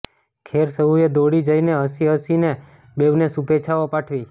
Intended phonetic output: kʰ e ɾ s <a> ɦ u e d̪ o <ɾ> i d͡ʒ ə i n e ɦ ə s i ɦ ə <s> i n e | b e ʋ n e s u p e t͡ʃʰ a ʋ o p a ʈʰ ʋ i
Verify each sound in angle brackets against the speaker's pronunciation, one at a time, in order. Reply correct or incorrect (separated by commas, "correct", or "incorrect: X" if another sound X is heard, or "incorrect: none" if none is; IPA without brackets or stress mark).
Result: incorrect: ə, incorrect: ɽ, correct